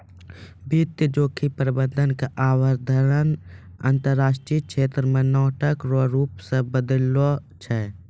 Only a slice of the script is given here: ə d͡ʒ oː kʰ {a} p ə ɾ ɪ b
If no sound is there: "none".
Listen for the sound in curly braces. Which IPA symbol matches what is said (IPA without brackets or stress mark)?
i